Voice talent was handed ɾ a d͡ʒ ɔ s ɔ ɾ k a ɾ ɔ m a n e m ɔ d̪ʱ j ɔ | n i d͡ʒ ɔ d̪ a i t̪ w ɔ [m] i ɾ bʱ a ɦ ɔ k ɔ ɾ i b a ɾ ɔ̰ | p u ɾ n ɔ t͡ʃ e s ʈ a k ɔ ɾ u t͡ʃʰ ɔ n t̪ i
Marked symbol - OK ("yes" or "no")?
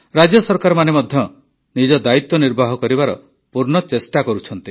no